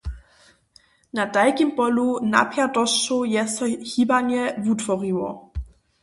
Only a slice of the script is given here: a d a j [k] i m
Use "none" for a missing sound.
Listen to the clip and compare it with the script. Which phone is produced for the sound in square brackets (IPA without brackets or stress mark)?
k